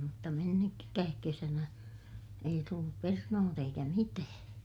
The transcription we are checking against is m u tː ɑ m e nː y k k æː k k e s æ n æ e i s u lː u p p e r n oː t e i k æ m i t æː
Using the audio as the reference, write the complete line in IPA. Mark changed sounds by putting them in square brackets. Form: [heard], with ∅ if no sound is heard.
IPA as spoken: m u tː ɑ m e nː y k k æː k k e s æ n æ e i [t] u lː u p p e r n oː t e i k æ m i t æː